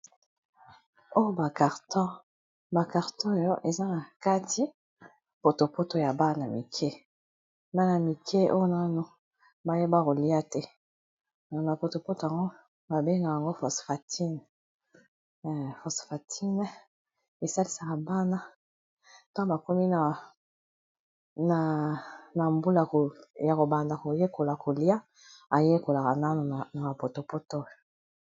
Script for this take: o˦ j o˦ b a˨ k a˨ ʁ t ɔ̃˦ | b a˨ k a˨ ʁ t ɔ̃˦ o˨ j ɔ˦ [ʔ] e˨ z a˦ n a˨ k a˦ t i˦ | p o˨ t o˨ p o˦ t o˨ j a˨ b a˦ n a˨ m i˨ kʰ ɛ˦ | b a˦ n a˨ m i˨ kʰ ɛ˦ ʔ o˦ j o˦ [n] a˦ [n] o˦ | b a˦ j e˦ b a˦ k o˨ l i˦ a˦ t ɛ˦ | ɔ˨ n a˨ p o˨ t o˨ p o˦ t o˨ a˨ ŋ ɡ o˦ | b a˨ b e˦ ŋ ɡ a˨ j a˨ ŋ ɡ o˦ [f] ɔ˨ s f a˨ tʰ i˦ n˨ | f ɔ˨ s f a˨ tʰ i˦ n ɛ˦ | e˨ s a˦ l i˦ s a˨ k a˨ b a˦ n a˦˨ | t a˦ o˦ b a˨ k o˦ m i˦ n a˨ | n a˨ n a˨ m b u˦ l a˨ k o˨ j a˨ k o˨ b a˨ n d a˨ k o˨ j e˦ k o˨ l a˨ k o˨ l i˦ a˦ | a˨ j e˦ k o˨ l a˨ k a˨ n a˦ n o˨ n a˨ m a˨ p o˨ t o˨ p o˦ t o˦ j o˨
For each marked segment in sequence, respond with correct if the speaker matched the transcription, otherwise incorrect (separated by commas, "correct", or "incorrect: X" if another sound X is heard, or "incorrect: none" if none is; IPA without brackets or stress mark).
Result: correct, correct, correct, correct